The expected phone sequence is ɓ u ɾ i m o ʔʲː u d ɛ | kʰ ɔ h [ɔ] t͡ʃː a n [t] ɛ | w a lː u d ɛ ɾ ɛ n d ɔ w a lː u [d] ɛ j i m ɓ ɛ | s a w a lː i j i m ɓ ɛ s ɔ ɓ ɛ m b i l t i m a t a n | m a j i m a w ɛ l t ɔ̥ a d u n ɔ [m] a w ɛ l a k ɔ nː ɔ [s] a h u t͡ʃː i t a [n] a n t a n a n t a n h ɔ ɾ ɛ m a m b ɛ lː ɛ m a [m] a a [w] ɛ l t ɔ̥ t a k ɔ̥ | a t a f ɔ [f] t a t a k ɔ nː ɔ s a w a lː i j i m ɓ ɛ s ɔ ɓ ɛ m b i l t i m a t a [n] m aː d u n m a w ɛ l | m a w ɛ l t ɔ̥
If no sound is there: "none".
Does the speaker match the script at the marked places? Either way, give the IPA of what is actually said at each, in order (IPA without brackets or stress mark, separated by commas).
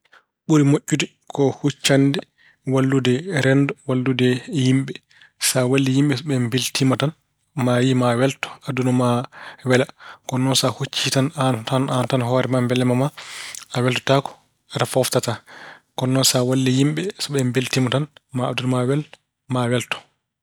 u, d, d, m, s, n, m, w, f, n